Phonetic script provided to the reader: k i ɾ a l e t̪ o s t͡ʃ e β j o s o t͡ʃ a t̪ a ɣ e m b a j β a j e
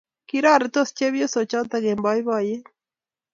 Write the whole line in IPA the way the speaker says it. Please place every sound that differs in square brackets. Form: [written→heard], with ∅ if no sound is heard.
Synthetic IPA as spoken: k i ɾ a [l→ɾ] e t̪ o s t͡ʃ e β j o s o t͡ʃ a t̪ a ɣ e m b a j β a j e